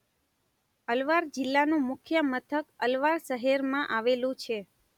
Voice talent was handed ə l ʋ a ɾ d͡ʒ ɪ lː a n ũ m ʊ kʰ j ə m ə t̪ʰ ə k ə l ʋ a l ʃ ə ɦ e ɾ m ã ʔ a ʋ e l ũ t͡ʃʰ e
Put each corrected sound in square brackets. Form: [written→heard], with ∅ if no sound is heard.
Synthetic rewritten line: ə l ʋ a ɾ d͡ʒ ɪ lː a n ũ m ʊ kʰ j ə m ə t̪ʰ ə k ə l ʋ a [l→ɾ] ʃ ə ɦ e ɾ m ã ʔ a ʋ e l ũ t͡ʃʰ e

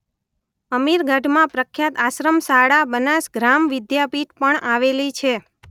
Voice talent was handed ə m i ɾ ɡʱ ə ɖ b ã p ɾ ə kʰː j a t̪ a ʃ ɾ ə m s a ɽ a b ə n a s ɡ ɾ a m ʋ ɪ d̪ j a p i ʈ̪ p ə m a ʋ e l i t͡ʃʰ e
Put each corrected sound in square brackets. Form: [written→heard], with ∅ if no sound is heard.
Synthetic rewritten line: ə m i ɾ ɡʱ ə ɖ [b→m] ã p ɾ ə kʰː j a t̪ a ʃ ɾ ə m s a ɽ a b ə n a s ɡ ɾ a m ʋ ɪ d̪ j a p i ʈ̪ p ə [m→ɳ] a ʋ e l i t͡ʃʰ e

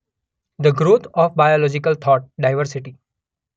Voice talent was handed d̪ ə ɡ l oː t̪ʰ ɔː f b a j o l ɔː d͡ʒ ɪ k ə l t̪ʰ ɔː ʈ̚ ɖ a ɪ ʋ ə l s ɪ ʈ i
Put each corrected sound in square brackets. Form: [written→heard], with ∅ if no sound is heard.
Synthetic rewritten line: d̪ ə ɡ [l→ɾ] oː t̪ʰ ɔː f b a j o l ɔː d͡ʒ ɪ k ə l t̪ʰ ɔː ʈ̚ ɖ a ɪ ʋ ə [l→ɾ] s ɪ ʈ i

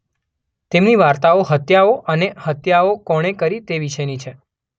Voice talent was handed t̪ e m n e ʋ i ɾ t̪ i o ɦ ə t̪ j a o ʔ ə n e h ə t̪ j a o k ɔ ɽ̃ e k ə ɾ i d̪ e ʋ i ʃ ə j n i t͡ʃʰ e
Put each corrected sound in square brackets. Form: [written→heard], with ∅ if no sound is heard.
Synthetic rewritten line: t̪ e m n [e→i] ʋ [i→a] ɾ t̪ [i→a] o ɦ ə t̪ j a o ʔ ə n e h ə t̪ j a o k ɔ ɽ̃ e k ə ɾ i [d̪→t̪] e ʋ i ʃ ə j n i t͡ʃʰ e

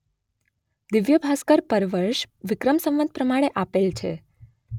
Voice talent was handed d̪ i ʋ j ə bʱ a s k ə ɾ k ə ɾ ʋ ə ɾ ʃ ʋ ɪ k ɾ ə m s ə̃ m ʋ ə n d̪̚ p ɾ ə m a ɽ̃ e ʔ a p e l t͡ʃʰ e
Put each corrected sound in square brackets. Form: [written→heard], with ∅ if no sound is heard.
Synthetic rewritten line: d̪ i ʋ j ə bʱ a s k ə ɾ [k→p] ə ɾ ʋ ə ɾ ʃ ʋ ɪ k ɾ ə m s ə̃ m ʋ ə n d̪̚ p ɾ ə m a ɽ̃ e ʔ a p e l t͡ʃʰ e

